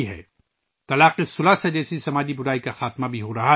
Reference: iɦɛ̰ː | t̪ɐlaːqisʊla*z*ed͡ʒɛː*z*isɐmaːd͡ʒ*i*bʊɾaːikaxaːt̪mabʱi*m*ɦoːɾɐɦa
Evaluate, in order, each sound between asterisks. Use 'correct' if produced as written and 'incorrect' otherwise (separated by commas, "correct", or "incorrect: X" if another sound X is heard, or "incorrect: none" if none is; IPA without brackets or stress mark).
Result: incorrect: s, incorrect: s, correct, incorrect: none